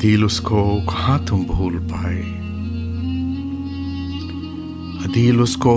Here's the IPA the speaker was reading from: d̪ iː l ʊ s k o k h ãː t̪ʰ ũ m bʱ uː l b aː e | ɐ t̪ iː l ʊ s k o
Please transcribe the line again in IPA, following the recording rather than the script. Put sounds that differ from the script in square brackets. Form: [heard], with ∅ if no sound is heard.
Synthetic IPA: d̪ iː l ʊ s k o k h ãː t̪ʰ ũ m bʱ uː l [p] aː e | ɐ [d̪] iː l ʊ s k o